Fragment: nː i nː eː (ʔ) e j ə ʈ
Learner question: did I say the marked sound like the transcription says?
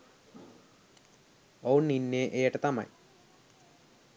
yes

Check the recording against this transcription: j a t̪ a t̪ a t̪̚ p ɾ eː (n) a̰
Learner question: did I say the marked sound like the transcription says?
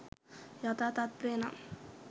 yes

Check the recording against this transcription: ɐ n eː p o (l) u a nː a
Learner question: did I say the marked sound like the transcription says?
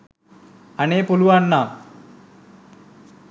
yes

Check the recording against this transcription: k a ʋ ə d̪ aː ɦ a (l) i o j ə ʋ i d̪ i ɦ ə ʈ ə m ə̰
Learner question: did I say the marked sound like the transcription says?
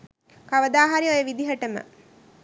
no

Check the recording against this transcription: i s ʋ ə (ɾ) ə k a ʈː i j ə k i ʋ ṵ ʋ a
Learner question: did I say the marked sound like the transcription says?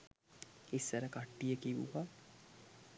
yes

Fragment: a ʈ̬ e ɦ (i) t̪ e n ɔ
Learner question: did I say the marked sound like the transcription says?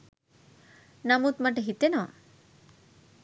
yes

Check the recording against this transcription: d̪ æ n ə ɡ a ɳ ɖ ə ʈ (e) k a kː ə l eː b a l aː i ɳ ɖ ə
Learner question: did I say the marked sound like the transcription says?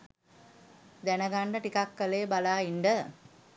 no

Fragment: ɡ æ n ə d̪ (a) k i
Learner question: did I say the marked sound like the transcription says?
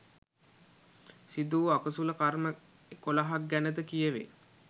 no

